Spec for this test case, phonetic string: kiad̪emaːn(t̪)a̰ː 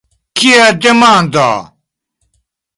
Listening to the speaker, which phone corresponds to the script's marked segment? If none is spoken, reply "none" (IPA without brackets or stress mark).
d̪